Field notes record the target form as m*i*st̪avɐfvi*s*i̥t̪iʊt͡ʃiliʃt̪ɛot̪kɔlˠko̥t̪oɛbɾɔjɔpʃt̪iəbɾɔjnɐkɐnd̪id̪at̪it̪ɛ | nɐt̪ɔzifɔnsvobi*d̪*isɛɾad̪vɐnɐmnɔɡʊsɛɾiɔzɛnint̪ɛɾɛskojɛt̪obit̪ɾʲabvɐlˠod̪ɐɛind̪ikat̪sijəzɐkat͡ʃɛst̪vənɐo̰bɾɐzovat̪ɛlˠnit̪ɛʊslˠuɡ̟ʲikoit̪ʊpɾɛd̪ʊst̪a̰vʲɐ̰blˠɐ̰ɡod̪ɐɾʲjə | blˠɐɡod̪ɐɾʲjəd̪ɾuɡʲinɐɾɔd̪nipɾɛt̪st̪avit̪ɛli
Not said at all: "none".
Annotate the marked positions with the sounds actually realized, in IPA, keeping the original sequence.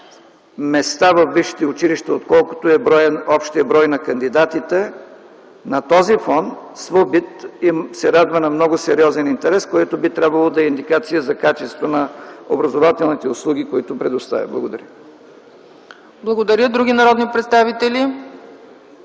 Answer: ɛ, ʃ, t̪

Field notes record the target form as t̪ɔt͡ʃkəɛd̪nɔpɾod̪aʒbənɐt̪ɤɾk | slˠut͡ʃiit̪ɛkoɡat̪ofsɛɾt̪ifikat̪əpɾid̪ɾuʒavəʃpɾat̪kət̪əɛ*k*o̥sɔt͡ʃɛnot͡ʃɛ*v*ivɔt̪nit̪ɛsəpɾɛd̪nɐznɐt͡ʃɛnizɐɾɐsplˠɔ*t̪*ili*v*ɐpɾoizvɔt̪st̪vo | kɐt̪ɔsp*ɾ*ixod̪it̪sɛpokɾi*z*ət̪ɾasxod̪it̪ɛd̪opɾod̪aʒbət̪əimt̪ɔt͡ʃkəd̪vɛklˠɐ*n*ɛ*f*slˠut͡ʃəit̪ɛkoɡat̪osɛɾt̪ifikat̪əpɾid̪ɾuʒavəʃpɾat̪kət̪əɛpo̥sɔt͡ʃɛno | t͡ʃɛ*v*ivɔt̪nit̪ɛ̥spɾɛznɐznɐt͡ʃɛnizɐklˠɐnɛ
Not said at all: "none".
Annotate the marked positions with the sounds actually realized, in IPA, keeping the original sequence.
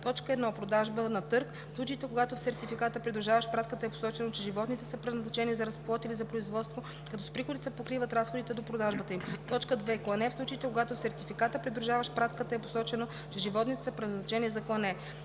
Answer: p, ʒ, t̪, z, ɾ, v, n, f, ʒ

